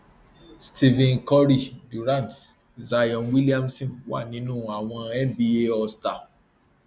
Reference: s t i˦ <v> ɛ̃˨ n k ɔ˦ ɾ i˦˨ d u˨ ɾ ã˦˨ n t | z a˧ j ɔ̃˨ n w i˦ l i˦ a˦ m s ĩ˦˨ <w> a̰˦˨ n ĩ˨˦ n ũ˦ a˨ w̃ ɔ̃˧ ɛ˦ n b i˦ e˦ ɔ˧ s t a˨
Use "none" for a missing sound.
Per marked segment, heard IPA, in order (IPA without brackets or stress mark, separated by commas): v, w